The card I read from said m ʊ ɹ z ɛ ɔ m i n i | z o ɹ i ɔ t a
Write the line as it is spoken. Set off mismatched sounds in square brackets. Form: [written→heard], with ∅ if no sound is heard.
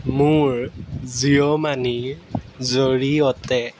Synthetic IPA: m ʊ ɹ z [ɛ→i] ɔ m [i→a] n i | z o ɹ i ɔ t [a→ɛ]